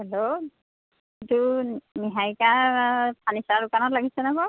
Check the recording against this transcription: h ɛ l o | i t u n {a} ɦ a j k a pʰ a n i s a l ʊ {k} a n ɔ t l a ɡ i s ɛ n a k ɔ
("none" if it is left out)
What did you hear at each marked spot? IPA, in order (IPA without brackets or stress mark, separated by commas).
i, k